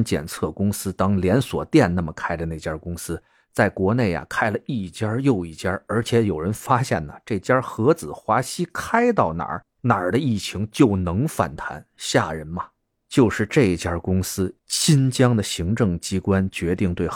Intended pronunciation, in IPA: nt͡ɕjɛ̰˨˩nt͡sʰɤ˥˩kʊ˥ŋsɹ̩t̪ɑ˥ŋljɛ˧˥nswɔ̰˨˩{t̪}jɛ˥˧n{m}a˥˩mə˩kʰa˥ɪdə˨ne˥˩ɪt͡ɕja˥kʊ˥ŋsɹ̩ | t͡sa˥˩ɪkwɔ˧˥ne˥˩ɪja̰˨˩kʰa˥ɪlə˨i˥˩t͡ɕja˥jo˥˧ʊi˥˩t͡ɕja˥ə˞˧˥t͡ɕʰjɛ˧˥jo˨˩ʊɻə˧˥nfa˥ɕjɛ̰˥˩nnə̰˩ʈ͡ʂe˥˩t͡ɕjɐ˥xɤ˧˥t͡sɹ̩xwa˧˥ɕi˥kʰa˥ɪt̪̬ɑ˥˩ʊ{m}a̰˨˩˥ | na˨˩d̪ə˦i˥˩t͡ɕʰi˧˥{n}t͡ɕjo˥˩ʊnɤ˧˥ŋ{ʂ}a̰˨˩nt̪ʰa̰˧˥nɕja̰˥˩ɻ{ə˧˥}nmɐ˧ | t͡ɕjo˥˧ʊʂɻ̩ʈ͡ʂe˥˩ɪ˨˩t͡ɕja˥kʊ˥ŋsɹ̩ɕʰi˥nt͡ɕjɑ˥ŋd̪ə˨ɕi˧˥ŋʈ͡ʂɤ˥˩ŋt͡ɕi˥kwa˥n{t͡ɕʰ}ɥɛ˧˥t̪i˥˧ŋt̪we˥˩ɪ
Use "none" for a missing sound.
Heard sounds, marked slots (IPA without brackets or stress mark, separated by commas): t̪, n, n, ŋ, f, ə˧˥, t͡ɕ